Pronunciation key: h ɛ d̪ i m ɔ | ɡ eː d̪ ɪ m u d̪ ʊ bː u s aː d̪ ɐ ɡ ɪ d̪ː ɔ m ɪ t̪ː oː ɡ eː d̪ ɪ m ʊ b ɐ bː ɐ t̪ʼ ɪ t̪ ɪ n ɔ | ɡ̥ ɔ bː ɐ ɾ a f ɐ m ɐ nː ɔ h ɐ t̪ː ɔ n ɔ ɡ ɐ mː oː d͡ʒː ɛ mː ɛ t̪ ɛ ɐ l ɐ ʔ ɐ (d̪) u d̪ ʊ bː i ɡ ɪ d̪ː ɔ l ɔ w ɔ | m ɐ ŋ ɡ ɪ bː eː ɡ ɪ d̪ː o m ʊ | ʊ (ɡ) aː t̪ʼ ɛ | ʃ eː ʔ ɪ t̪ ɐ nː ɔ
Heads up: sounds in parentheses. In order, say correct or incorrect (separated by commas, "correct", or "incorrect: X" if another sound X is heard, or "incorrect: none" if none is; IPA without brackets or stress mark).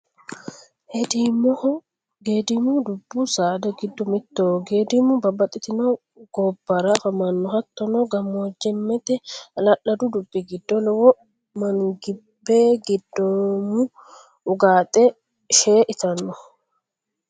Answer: correct, correct